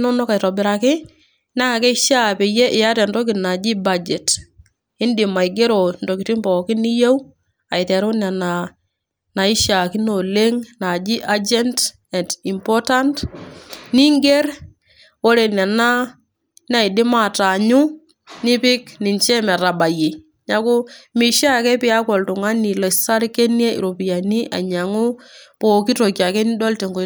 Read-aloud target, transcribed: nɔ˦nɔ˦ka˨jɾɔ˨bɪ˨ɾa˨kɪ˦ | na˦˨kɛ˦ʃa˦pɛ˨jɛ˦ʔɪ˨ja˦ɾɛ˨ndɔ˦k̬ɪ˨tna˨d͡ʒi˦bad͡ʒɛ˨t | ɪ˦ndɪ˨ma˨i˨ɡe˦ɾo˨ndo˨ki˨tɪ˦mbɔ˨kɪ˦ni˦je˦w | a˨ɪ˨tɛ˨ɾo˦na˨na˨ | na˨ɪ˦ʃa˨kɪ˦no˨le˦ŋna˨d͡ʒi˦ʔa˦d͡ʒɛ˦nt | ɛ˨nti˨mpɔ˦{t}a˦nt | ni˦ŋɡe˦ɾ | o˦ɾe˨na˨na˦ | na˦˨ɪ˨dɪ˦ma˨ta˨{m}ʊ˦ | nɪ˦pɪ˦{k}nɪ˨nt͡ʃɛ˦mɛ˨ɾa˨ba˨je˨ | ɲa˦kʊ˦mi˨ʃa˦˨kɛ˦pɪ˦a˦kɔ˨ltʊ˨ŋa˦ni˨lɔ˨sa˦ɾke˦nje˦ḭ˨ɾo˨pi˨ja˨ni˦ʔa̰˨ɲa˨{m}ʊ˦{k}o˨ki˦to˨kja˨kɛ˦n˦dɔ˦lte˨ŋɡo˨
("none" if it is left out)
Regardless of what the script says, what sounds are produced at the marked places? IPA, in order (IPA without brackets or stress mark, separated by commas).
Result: t, ɲ, k, ŋ, p